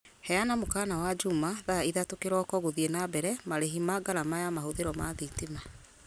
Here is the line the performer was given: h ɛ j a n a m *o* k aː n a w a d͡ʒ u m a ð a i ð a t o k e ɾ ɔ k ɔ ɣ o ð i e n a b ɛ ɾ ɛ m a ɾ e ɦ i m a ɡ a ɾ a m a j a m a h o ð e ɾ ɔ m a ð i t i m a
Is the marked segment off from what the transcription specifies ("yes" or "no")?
no